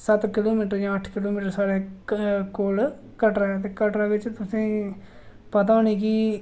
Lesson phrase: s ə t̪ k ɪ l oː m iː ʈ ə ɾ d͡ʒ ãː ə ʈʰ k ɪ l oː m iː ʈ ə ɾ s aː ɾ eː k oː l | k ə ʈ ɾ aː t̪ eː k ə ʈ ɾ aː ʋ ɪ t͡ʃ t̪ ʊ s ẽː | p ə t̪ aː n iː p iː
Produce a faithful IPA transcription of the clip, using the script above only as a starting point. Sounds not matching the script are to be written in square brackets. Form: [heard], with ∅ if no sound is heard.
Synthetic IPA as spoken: s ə t̪ k ɪ l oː m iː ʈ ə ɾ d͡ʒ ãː ə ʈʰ k ɪ l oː m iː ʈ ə ɾ s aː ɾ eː k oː l | k ə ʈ ɾ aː t̪ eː k ə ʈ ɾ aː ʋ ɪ t͡ʃ t̪ ʊ s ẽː | p ə t̪ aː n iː [k] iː